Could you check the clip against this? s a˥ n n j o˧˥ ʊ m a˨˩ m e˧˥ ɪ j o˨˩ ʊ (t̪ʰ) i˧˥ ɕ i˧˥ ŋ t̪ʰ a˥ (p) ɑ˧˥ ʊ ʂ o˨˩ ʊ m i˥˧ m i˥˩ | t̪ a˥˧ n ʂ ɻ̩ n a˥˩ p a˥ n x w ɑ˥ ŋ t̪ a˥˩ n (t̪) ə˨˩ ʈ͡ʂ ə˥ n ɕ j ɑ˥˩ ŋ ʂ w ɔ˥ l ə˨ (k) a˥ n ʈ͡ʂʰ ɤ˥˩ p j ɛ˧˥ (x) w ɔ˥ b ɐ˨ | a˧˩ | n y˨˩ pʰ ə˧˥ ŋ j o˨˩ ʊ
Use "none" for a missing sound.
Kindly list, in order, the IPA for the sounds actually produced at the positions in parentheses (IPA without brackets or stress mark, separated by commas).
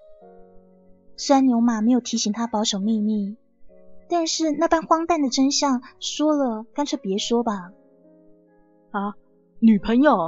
t̪ʰ, p, d̪, k, ʂ